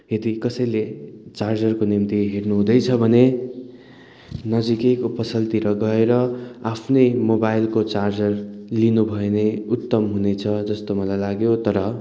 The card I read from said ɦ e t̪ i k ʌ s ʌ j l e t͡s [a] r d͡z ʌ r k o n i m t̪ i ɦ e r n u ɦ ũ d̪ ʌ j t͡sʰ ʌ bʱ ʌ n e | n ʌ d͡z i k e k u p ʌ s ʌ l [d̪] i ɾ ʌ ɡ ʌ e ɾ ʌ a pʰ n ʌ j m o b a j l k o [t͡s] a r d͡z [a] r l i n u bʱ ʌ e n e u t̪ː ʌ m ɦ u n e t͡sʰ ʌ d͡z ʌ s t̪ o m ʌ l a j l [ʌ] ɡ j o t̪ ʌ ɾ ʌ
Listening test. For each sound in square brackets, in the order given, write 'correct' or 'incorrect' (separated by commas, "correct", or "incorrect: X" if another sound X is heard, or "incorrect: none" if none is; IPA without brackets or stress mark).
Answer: correct, incorrect: t̪, correct, incorrect: ʌ, incorrect: a